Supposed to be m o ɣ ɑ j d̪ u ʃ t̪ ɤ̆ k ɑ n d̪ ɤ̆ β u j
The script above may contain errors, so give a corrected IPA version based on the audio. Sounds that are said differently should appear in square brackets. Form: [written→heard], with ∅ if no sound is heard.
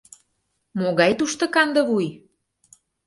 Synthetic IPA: m o ɣ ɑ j [d̪→t̪] u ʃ t̪ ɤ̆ k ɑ n d̪ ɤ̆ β u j